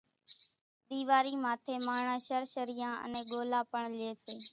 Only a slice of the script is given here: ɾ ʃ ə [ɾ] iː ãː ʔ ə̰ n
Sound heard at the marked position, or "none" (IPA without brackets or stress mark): ɾ